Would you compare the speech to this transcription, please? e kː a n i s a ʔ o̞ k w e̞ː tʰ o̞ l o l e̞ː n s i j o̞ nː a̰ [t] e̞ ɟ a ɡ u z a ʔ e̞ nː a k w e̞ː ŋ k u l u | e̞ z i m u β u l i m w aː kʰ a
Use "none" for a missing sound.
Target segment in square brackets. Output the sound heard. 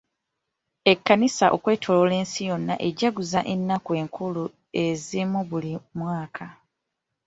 ʔ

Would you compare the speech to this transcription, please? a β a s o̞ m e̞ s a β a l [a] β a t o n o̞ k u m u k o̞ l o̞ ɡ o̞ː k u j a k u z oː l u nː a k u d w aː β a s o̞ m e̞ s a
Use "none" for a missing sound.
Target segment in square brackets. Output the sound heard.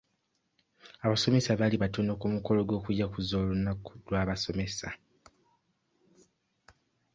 i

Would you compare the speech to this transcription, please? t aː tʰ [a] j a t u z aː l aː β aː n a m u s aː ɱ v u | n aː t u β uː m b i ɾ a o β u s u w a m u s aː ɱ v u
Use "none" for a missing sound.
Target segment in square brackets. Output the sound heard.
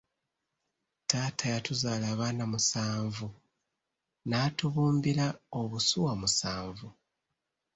a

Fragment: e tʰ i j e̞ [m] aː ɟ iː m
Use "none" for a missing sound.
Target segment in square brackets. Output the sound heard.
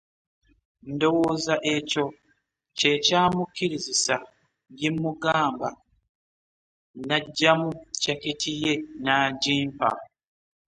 n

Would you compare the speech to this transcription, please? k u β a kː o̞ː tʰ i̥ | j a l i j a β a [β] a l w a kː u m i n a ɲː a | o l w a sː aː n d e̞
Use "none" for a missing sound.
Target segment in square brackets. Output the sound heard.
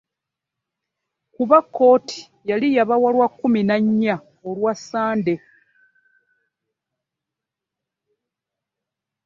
w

